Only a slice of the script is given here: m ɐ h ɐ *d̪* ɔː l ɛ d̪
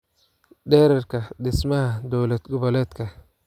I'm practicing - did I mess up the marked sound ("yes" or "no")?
no